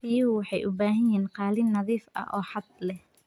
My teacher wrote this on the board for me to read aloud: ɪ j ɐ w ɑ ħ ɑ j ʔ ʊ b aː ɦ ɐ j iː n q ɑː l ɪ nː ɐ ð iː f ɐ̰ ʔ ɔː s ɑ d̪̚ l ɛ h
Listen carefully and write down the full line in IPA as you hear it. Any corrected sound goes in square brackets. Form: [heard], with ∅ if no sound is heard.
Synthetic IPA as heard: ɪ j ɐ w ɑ ħ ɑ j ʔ ʊ b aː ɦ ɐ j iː n q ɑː l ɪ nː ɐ ð iː f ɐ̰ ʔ ɔː [ħ] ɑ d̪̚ l ɛ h